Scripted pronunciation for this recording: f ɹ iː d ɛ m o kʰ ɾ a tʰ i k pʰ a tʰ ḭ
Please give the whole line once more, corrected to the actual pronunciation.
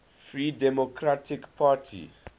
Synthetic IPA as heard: f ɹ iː d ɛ m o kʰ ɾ a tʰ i k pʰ a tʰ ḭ